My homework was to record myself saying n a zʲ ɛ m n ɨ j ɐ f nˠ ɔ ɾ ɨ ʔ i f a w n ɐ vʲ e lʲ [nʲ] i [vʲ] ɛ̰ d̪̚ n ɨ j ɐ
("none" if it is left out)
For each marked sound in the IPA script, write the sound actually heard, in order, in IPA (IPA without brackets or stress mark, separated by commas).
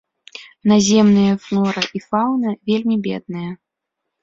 mʲ, bʲ